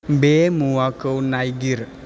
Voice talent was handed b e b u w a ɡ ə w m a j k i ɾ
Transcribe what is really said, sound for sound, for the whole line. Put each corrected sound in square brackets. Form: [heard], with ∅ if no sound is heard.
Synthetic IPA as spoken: b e [m] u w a [k] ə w [n] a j [ɡ] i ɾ